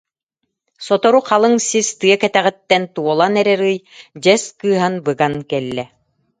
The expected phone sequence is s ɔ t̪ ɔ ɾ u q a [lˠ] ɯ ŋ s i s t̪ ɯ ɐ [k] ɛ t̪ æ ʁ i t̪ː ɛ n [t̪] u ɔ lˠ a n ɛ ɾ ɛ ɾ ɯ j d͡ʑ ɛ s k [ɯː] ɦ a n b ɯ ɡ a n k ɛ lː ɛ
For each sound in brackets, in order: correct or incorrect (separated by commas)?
correct, correct, correct, correct